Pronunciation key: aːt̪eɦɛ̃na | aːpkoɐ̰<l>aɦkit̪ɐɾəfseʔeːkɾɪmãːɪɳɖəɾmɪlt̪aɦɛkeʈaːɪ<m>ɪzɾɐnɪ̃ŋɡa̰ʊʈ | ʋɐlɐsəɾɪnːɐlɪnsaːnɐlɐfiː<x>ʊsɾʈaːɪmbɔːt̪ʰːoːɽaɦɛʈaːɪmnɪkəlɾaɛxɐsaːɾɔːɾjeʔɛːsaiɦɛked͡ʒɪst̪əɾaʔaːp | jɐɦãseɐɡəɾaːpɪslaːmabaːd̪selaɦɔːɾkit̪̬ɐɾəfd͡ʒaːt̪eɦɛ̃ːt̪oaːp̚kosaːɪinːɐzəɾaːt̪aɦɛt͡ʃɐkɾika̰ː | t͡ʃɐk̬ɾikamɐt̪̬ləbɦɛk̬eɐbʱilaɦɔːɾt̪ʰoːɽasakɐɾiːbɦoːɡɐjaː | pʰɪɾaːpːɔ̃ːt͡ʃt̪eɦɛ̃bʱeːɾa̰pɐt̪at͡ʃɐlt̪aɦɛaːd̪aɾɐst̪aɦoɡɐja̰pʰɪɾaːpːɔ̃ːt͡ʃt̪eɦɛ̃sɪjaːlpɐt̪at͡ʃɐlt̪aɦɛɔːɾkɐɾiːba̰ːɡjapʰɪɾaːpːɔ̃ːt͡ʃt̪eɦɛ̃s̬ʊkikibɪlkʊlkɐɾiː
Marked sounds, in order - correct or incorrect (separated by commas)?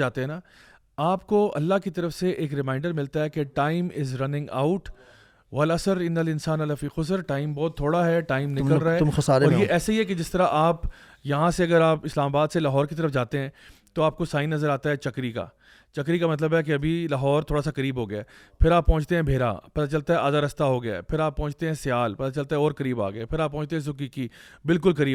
incorrect, correct, correct